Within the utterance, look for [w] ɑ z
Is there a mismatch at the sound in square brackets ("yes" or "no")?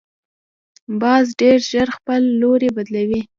yes